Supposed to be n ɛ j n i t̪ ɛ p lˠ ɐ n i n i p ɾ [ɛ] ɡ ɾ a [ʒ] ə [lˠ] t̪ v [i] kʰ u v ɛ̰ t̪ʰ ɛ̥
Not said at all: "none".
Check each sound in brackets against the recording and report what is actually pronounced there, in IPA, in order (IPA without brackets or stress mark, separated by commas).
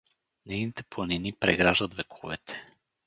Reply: ɛ, ʒ, none, ɛ